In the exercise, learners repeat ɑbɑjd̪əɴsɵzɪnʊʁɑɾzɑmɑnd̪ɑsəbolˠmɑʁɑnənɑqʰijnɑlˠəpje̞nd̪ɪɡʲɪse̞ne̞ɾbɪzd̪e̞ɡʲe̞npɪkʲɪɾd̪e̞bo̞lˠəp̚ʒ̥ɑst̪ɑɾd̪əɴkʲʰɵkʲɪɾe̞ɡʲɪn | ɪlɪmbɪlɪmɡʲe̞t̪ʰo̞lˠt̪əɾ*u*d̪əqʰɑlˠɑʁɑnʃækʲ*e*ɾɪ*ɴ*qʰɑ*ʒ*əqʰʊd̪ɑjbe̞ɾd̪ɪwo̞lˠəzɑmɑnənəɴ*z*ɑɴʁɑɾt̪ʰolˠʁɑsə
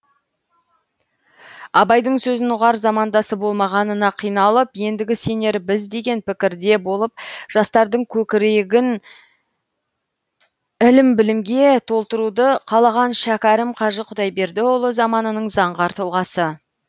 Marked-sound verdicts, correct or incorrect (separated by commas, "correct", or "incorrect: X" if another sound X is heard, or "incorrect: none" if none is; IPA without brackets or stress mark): correct, incorrect: æ, incorrect: m, correct, correct